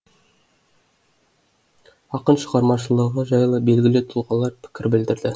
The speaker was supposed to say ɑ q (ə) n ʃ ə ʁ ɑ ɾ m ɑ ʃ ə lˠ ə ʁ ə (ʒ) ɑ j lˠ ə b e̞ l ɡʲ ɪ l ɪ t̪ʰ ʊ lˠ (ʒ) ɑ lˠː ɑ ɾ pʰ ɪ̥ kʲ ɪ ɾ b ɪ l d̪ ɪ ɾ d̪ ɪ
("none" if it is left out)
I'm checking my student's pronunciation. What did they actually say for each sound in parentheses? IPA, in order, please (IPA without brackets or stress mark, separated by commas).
ə, ʒ, ʁ